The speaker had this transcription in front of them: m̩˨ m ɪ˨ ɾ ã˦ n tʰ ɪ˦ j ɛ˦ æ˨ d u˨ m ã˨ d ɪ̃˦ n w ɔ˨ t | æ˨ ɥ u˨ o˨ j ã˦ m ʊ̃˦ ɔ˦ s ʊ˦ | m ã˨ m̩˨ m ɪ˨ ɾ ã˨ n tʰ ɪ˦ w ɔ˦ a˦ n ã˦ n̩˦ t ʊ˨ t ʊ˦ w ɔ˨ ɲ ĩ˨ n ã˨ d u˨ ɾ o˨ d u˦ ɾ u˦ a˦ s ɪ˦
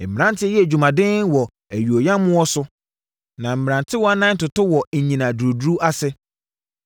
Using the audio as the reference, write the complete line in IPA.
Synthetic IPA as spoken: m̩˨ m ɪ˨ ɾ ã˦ n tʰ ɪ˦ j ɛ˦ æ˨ d͡ʑ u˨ m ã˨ d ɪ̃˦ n w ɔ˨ | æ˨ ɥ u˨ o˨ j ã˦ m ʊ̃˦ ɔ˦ s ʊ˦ | n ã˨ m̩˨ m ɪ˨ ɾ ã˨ n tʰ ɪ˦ w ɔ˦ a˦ n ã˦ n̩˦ t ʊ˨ t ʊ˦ w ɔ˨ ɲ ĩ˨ n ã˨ d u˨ ɾ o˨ d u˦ ɾ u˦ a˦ s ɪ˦